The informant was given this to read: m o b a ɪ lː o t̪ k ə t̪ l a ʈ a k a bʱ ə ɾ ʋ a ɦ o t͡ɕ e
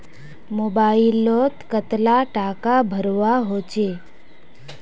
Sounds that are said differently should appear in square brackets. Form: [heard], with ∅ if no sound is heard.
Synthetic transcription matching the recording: m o b a [i] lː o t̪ k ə t̪ l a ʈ a k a bʱ ə ɾ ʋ a ɦ o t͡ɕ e